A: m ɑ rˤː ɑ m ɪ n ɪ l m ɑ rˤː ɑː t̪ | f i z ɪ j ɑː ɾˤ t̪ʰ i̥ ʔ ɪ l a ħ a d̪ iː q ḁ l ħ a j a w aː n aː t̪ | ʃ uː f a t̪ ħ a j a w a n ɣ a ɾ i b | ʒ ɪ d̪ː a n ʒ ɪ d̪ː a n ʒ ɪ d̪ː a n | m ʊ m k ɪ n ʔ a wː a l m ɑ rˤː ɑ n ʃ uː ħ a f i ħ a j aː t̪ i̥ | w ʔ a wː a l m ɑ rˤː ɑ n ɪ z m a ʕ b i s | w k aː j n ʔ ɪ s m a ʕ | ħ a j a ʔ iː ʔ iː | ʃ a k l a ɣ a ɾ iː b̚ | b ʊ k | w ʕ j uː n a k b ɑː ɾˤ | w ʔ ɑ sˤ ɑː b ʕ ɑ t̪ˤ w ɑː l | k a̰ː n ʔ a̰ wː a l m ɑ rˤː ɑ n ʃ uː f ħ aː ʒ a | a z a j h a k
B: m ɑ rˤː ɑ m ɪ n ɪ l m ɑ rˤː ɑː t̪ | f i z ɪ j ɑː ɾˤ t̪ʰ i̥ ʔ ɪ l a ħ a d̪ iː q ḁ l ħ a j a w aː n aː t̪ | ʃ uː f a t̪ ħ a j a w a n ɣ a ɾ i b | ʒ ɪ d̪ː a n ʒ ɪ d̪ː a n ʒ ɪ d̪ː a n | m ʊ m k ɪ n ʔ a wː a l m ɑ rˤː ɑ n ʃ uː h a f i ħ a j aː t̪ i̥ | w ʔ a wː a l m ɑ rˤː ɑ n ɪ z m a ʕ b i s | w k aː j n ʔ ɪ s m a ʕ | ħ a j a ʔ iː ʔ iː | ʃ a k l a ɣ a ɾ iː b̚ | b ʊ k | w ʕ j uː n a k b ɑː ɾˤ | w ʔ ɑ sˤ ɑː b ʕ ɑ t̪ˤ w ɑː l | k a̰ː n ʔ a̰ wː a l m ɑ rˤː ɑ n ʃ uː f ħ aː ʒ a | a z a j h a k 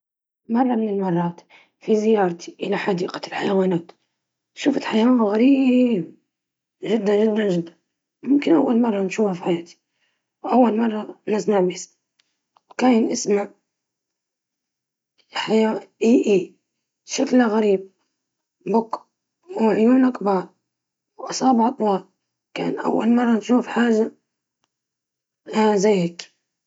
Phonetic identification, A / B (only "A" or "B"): B